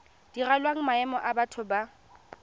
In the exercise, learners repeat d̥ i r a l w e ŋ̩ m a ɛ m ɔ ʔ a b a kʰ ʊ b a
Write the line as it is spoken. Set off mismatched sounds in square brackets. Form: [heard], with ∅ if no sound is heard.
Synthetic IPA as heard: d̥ i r a l w [a] ŋ̩ m a ɛ m ɔ ʔ a b a [tʰ] ʊ b a